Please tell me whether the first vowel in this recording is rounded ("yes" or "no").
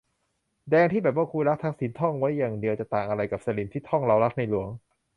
no